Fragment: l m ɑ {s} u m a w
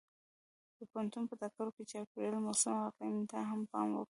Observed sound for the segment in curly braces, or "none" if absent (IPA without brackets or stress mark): s